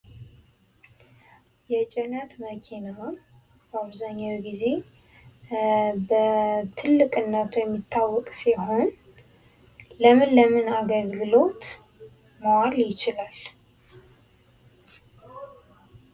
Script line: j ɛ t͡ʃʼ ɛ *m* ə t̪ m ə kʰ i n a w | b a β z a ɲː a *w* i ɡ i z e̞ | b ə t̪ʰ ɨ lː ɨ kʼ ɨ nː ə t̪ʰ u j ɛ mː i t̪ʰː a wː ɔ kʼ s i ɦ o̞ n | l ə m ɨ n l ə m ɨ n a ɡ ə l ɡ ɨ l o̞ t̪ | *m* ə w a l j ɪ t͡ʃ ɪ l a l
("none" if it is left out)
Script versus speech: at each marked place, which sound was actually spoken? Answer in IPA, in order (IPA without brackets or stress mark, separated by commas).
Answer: n, w, m